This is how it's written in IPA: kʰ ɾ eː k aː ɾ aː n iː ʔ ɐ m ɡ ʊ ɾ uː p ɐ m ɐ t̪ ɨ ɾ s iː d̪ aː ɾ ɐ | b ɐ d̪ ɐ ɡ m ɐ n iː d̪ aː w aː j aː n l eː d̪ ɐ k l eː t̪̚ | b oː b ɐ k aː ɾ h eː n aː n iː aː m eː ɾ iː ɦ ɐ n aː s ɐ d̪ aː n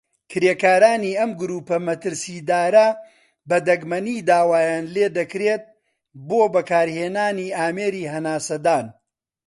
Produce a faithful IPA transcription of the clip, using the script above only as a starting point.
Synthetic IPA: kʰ ɾ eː k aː ɾ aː n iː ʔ ɐ m ɡ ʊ ɾ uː p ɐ m ɐ t̪ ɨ ɾ s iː d̪ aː ɾ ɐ | b ɐ d̪ ɐ ɡ m ɐ n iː d̪ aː w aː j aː n l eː d̪ ɐ k ɾ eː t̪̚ | b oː b ɐ k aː ɾ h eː n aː n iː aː m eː ɾ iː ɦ ɐ n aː s ɐ d̪ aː n